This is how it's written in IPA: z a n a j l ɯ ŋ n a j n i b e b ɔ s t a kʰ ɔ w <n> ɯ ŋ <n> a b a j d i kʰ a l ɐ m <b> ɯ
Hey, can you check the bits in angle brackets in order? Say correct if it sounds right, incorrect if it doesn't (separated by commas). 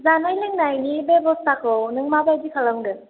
correct, incorrect, incorrect